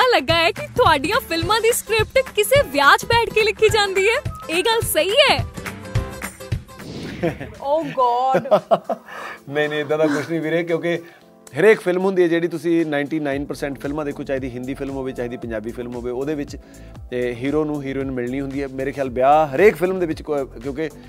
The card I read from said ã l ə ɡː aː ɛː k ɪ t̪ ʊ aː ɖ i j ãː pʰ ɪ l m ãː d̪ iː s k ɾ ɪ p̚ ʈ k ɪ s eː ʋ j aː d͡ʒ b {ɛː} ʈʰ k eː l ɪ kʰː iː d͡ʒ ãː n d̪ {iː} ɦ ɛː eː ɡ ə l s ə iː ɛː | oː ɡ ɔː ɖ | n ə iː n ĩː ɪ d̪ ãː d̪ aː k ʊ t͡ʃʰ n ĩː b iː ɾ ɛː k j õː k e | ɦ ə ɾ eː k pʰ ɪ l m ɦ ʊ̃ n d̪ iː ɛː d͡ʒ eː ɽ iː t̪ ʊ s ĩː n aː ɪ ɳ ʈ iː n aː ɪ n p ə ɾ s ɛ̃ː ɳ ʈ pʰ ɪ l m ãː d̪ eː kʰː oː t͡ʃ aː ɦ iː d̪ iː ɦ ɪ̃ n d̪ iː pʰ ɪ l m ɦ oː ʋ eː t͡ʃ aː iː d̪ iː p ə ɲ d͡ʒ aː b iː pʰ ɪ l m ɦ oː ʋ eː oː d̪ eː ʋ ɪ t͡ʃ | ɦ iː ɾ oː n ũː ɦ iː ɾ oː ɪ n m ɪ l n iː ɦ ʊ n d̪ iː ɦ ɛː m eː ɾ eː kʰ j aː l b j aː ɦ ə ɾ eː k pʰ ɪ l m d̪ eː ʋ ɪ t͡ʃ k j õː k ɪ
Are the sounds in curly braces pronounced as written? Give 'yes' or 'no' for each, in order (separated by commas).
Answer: yes, yes